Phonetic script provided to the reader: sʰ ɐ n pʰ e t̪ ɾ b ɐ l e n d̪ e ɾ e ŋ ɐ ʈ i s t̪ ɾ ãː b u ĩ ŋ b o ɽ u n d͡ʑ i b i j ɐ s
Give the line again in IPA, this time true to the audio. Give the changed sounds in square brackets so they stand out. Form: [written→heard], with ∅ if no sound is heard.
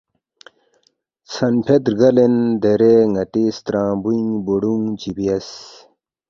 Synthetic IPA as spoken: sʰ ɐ n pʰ e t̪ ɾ [b→ɡ] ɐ l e n d̪ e ɾ e ŋ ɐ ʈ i s t̪ ɾ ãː b u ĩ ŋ b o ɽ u [n→ŋ] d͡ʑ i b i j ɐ s